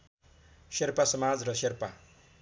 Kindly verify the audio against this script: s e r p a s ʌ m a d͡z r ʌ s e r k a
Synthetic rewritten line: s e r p a s ʌ m a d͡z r ʌ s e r p a